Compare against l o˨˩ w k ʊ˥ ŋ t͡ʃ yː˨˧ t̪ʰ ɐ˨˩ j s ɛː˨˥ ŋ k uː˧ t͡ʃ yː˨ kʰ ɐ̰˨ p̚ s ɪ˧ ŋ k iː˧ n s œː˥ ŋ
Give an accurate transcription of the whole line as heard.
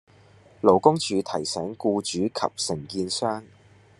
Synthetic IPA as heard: l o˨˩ w k ʊ˥ ŋ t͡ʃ yː˨˧ t̪ʰ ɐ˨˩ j s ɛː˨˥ ŋ k uː˧ t͡ʃ yː˨˥ kʰ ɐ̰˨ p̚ s ɪ˨˩ ŋ k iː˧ n s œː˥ ŋ